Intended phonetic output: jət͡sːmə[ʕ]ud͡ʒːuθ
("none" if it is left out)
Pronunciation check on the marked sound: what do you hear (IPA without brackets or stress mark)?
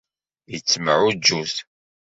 ʕ